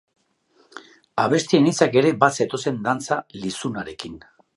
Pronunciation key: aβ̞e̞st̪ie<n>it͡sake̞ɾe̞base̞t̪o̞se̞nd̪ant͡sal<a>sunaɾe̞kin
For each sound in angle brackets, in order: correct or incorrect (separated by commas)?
correct, incorrect